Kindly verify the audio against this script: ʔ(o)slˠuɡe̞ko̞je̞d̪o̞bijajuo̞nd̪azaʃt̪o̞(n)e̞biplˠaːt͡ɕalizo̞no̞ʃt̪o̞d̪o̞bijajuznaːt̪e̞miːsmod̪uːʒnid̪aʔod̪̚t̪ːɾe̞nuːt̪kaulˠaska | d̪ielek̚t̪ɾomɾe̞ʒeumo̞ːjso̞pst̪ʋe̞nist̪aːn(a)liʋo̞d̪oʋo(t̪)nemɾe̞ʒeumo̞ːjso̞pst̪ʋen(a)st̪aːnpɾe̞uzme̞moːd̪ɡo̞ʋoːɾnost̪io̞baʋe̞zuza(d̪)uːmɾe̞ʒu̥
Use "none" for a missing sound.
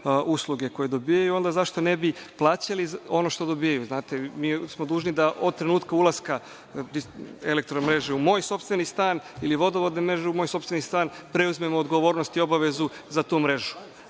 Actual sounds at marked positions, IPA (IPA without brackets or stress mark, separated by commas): u, n, i, d̪, i, t̪